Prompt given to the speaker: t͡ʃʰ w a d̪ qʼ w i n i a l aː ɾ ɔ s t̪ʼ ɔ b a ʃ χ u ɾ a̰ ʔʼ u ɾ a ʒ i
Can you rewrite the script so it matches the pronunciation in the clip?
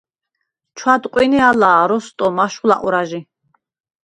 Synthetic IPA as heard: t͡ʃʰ w a d̪ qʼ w i n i a l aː ɾ ɔ s t̪ʼ ɔ m a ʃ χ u l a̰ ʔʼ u ɾ a ʒ i